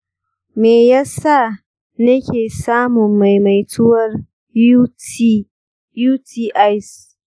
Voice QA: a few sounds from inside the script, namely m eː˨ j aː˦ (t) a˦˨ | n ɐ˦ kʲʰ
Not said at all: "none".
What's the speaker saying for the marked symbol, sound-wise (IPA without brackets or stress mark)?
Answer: s